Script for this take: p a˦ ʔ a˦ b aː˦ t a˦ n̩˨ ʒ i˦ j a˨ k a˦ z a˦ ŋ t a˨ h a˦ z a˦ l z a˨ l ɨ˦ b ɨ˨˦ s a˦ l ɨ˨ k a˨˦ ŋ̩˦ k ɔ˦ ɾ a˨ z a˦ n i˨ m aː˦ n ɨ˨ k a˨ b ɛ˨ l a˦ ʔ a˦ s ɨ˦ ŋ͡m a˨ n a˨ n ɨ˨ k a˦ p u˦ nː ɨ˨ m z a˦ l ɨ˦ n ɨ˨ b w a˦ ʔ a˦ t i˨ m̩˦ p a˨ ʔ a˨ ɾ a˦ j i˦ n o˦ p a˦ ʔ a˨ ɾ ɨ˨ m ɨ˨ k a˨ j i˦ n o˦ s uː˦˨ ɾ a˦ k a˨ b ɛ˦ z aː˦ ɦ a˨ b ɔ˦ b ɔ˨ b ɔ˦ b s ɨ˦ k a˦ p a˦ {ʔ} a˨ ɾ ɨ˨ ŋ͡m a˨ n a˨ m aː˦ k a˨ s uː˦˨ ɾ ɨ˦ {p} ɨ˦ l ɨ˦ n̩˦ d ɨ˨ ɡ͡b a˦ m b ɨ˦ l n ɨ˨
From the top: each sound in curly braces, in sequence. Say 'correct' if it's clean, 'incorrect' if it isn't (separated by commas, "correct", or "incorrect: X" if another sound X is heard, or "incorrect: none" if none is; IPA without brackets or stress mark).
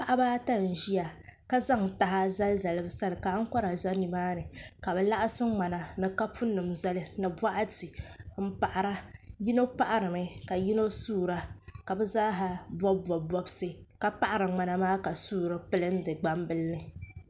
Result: correct, correct